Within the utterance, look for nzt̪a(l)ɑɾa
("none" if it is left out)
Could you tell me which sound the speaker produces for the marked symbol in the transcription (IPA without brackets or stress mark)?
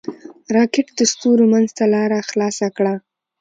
l